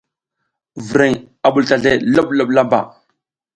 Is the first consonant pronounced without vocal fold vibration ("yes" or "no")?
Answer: no